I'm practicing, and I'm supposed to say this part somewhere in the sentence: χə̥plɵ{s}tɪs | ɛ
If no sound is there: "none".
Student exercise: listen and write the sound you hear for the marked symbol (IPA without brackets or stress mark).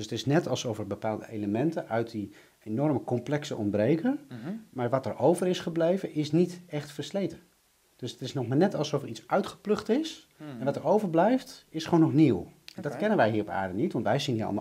χ